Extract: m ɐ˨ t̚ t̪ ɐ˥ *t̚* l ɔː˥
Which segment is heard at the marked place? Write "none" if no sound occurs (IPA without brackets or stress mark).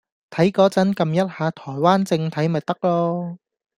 k̚